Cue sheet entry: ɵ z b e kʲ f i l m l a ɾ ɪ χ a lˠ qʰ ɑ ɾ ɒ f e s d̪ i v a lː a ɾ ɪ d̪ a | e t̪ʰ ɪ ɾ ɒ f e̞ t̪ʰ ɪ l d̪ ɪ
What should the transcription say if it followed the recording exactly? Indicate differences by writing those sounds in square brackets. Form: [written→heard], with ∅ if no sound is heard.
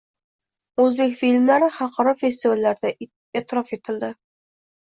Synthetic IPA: ɵ z b e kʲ f i l m l a ɾ ɪ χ [a→ɑ] lˠ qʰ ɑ ɾ ɒ f e s [d̪→t̪] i v a lː a ɾ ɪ d̪ a | e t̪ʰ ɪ ɾ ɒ f e̞ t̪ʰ ɪ l d̪ ɪ